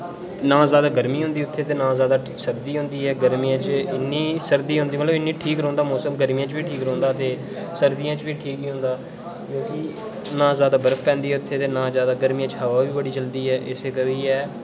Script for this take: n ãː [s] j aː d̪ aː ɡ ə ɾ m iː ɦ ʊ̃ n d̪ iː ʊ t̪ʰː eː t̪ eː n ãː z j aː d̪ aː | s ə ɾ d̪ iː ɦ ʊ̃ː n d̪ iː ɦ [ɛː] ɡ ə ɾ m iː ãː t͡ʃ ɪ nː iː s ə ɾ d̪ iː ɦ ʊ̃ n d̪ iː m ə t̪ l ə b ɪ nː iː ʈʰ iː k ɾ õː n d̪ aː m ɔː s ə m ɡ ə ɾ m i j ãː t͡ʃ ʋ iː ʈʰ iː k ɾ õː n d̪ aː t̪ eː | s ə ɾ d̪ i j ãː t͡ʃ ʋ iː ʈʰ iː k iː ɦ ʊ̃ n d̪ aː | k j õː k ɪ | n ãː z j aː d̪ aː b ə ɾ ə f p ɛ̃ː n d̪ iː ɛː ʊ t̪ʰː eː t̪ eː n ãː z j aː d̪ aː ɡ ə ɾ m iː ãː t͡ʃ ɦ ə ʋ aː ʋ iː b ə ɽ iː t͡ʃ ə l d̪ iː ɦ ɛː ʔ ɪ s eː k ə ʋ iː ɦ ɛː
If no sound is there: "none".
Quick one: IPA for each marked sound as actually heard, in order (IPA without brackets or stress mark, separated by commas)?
z, ɛː